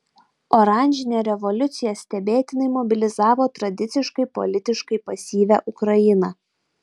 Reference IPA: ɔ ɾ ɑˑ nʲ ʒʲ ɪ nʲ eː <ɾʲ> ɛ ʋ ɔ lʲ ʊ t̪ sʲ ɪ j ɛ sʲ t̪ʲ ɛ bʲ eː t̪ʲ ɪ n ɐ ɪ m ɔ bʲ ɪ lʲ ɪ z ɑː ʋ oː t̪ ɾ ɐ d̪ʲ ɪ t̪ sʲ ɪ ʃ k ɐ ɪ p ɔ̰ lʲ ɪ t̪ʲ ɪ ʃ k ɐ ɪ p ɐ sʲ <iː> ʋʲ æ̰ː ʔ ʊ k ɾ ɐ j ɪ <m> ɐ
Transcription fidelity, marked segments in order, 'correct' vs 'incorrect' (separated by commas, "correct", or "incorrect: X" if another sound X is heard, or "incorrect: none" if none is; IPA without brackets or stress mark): correct, correct, incorrect: n